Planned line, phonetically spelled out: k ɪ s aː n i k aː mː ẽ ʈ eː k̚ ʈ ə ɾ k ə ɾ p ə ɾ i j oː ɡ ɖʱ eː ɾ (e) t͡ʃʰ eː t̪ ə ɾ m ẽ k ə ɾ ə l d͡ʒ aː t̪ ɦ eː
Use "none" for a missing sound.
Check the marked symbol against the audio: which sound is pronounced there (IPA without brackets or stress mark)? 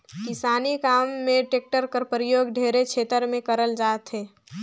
e